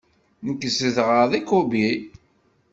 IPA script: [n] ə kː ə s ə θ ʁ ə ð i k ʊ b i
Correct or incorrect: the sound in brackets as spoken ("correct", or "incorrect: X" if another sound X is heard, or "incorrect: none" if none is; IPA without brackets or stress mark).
correct